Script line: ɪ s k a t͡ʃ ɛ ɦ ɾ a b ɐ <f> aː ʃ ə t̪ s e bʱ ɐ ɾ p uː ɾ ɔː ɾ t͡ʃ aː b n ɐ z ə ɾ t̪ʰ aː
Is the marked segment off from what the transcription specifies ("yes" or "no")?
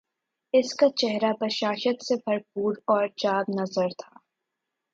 yes